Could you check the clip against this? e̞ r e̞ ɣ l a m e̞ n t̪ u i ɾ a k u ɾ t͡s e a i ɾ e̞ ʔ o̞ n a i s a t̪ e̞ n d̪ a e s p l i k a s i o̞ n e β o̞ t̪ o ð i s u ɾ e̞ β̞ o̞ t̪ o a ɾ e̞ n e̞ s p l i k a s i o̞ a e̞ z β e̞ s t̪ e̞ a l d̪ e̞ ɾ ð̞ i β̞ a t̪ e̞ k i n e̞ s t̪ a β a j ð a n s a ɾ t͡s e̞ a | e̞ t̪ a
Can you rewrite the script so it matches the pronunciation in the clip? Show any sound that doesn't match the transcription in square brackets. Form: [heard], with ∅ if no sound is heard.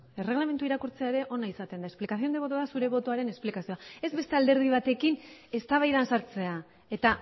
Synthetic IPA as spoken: e̞ r e̞ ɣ l a m e̞ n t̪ u i ɾ a k u ɾ t͡s e a [e] ɾ e̞ ʔ o̞ n a i s a t̪ e̞ n d̪ a e s p l i k a s i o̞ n e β o̞ t̪ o ð [a] s u ɾ e̞ β̞ o̞ t̪ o a ɾ e̞ n e̞ s p l i k a s i o̞ a e̞ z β e̞ s t̪ e̞ a l d̪ e̞ ɾ ð̞ i β̞ a t̪ e̞ k i n e̞ s t̪ a β a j ð a n s a ɾ t͡s e̞ a | e̞ t̪ a

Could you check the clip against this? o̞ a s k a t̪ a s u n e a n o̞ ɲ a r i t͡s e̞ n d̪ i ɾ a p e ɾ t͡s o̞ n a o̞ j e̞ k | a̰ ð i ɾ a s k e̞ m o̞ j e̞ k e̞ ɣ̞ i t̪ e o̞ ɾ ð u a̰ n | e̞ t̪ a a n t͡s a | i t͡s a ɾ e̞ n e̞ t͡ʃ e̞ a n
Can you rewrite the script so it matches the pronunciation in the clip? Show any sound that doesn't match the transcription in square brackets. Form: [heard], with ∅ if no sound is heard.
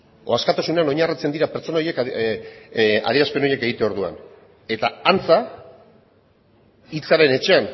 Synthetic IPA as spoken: o̞ a s k a t̪ a s u n e a n o̞ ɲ a r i t͡s e̞ n d̪ i ɾ a p e ɾ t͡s o̞ n a o̞ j e̞ k | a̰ ð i ɾ a s [p] e̞ [n] o̞ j e̞ k e̞ ɣ̞ i t̪ e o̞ ɾ ð u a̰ n | e̞ t̪ a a n t͡s a | i t͡s a ɾ e̞ n e̞ t͡ʃ e̞ a n

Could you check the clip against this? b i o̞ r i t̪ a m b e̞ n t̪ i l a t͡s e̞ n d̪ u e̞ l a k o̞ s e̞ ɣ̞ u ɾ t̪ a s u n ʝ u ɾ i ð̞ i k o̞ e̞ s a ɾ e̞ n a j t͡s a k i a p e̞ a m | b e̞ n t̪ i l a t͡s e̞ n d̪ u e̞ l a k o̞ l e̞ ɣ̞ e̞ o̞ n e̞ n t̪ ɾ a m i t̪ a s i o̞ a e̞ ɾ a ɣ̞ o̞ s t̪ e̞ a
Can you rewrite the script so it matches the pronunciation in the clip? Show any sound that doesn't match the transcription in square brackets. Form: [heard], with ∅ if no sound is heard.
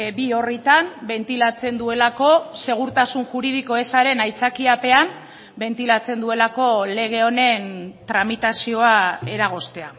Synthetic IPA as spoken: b i o̞ r i t̪ a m b e̞ n t̪ i l a t͡s e̞ n d̪ u e̞ l a k o̞ s e̞ ɣ̞ u ɾ t̪ a s u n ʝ u ɾ i ð̞ i k o̞ e̞ s a ɾ e̞ n a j t͡s a k i a p e̞ a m | b e̞ n t̪ i l a t͡s e̞ n d̪ u e̞ l a k o̞ l e̞ ɣ̞ e̞ o̞ n e̞ n t̪ ɾ a m i t̪ a s i o̞ a e̞ ɾ a ɣ̞ o̞ s t̪ e̞ a

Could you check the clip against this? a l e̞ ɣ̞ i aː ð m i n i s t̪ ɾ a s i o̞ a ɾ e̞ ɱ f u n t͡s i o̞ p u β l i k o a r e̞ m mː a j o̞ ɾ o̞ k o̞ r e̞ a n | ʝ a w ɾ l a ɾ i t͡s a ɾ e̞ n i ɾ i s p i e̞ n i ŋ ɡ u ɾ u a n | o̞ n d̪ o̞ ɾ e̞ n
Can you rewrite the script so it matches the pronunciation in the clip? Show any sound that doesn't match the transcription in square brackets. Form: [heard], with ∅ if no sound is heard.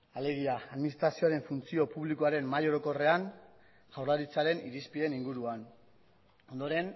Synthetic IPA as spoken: a l e̞ ɣ̞ i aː ð m i n i s t̪ ɾ a s i o̞ a ɾ e̞ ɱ f u n t͡s i o̞ p u β l i k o a [ɾ] e̞ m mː a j o̞ ɾ o̞ k o̞ r e̞ a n | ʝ a w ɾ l a ɾ i t͡s a ɾ e̞ n i ɾ i s p i e̞ n i ŋ ɡ u ɾ u a n | o̞ n d̪ o̞ ɾ e̞ n

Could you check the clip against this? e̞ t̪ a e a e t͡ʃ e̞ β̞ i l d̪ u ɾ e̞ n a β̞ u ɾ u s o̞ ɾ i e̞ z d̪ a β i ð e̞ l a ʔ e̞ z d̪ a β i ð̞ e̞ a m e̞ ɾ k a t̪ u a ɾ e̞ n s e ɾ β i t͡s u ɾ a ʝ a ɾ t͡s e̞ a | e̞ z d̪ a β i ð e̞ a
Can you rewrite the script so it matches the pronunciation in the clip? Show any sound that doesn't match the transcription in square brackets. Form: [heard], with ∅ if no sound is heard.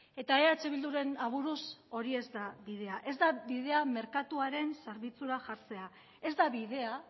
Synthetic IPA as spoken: e̞ t̪ a e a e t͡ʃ e̞ β̞ i l d̪ u ɾ e̞ n a β̞ u ɾ u s o̞ ɾ i e̞ z d̪ a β i ð e̞ [∅] a ʔ e̞ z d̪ a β i ð̞ e̞ a m e̞ ɾ k a t̪ u a ɾ e̞ n s e ɾ β i t͡s u ɾ a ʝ a ɾ t͡s e̞ a | e̞ z d̪ a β i ð e̞ a

